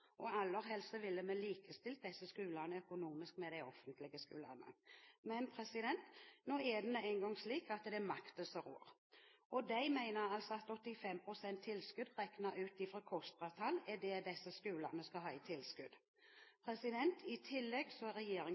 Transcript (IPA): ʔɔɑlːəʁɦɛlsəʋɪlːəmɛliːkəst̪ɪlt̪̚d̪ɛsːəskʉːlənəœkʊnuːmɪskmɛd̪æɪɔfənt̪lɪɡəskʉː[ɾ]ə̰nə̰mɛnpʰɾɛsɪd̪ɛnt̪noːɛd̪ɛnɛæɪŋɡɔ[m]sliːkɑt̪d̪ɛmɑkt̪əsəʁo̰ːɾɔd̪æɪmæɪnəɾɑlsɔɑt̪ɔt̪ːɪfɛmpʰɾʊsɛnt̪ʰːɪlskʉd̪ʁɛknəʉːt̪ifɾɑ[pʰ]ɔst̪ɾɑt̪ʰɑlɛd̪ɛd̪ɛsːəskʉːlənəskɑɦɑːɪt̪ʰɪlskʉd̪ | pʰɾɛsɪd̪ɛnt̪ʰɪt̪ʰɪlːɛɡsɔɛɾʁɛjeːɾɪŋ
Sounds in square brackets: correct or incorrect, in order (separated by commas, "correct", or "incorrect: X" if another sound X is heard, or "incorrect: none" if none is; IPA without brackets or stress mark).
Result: incorrect: l, incorrect: ŋ, incorrect: kʰ